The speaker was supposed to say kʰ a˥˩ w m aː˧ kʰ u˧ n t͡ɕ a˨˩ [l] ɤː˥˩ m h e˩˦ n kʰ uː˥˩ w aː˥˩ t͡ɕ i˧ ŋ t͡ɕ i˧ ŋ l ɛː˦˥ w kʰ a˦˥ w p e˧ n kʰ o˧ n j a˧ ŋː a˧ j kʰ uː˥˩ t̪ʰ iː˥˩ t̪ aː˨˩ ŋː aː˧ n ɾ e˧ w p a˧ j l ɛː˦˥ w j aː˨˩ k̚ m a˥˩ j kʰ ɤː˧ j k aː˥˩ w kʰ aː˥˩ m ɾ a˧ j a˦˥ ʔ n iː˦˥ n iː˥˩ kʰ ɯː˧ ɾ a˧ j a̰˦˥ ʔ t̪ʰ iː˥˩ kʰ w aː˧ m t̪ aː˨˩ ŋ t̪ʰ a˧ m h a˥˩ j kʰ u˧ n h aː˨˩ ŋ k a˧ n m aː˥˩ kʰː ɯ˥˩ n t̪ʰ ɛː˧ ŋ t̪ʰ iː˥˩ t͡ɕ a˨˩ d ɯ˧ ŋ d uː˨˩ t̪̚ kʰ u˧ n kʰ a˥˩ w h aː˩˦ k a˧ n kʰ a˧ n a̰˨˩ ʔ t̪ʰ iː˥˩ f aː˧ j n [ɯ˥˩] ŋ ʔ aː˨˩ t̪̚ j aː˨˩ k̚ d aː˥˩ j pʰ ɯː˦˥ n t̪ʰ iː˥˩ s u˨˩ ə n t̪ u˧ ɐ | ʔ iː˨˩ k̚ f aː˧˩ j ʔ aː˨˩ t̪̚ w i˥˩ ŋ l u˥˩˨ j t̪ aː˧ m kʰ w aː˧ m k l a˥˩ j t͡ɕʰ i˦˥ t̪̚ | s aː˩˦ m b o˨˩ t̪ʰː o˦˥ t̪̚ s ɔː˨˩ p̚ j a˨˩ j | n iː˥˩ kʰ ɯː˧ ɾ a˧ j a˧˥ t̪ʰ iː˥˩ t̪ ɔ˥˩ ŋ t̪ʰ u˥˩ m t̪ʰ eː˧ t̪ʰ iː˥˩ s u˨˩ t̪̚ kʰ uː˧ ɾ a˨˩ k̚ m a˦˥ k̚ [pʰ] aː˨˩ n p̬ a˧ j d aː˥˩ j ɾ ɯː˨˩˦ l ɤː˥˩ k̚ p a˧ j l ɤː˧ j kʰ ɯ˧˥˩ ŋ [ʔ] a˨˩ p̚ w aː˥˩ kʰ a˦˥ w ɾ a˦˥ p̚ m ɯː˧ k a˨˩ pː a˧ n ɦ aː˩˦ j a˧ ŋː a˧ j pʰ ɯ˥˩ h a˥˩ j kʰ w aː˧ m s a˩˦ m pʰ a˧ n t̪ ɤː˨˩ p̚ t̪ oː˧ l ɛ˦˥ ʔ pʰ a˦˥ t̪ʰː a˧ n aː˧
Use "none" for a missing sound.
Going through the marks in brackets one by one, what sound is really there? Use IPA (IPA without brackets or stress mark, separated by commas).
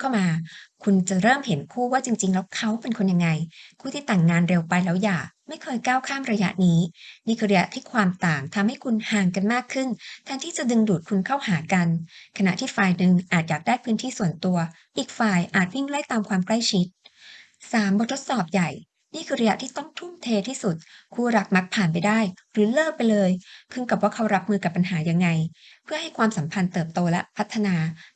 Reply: ɾ, ɯ˨˧, pʰ, k